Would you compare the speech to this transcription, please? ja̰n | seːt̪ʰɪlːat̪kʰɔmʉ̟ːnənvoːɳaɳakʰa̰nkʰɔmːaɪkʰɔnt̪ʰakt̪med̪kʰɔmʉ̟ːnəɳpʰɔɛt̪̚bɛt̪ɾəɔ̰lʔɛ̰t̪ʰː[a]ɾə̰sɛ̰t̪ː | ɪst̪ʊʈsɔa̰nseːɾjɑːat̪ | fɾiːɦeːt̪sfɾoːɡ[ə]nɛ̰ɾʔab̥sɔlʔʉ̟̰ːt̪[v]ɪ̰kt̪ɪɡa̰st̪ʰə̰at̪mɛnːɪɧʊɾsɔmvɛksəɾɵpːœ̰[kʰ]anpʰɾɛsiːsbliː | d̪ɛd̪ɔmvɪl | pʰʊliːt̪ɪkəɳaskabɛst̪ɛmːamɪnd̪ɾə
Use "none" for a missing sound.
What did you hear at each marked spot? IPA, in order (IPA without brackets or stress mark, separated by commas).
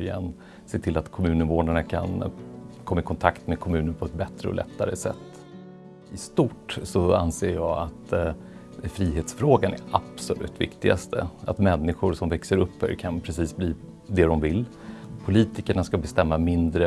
a, a, v, kʰ